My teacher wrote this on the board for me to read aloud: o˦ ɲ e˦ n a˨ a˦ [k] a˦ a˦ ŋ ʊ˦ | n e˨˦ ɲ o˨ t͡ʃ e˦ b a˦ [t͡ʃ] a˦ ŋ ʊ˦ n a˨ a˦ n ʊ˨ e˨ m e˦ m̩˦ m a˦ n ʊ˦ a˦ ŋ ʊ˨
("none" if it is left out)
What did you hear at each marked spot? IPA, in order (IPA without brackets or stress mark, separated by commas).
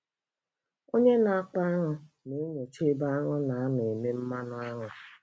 k͡p, none